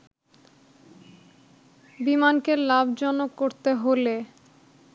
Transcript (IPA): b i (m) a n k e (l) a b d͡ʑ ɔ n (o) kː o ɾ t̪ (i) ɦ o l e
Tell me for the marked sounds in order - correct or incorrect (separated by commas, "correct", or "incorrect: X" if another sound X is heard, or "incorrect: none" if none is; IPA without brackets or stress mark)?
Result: correct, correct, correct, incorrect: e